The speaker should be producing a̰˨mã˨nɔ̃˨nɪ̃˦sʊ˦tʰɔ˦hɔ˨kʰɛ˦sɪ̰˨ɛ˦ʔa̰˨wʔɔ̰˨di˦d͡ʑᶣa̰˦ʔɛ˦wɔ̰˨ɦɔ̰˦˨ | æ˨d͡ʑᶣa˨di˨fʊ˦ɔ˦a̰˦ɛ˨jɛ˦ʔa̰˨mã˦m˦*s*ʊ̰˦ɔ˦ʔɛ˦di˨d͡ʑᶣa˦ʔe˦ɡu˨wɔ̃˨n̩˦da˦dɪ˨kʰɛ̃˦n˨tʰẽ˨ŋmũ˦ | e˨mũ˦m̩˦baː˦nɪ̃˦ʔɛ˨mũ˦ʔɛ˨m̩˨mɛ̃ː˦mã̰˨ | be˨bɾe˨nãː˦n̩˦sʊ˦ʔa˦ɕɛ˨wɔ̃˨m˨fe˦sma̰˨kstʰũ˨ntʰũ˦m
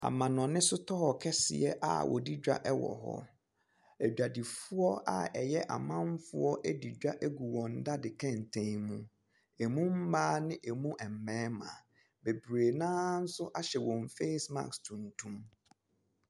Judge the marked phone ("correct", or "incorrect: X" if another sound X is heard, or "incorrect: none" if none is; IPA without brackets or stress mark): incorrect: f